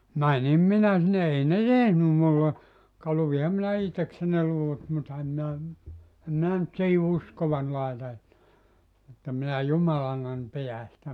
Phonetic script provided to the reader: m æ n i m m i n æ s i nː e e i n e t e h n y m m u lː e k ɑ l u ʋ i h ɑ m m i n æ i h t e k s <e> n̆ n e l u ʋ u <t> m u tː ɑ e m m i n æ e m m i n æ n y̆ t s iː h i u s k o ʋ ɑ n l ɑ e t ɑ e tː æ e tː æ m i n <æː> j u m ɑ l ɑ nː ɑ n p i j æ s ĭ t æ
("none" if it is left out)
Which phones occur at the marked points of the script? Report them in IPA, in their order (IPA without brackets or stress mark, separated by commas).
e, t, æ